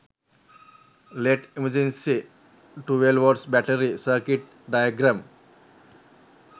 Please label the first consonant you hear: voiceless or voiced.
voiced